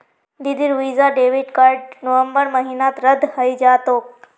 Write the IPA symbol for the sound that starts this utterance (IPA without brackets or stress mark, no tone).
d̪